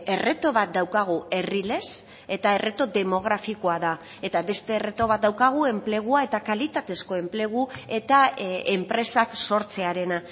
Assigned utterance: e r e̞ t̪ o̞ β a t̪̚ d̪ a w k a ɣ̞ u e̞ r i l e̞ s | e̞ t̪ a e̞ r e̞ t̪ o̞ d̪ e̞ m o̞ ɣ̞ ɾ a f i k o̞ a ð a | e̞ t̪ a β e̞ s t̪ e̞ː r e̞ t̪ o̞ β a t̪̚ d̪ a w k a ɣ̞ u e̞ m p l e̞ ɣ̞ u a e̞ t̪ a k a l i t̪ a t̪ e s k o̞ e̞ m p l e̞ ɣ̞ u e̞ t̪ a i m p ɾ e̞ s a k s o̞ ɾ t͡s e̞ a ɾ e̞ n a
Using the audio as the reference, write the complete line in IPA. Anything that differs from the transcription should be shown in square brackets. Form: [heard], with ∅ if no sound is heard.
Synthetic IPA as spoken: e r e̞ t̪ o̞ β a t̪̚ d̪ a w k a ɣ̞ u e̞ r i l e̞ s | e̞ t̪ a e̞ r e̞ t̪ o̞ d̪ e̞ m o̞ ɣ̞ ɾ a f i k o̞ a ð a | e̞ t̪ a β e̞ s t̪ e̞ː r e̞ t̪ o̞ β a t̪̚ d̪ a w k a ɣ̞ u e̞ m p l e̞ ɣ̞ u a e̞ t̪ a k a l i t̪ a t̪ e s k o̞ e̞ m p l e̞ ɣ̞ u e̞ t̪ a [e] m p ɾ e̞ s a k s o̞ ɾ t͡s e̞ a ɾ e̞ n a